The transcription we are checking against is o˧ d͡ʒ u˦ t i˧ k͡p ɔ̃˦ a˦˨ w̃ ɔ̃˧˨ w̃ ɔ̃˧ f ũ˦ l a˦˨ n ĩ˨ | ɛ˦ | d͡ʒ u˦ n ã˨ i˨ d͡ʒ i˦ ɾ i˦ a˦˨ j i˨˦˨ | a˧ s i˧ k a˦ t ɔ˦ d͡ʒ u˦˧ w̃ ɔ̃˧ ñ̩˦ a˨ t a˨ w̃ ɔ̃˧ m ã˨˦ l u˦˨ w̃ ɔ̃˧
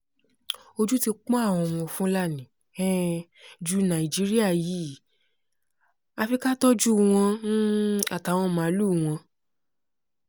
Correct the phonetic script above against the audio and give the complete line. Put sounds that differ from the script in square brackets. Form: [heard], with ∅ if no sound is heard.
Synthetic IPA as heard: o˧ d͡ʒ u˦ t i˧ k͡p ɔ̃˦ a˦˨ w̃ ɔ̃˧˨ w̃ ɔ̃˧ f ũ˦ l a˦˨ n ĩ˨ | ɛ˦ | d͡ʒ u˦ n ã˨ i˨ d͡ʒ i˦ ɾ i˦ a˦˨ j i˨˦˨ | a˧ [f] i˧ k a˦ t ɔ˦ d͡ʒ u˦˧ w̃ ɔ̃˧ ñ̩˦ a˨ t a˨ w̃ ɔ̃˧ m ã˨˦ l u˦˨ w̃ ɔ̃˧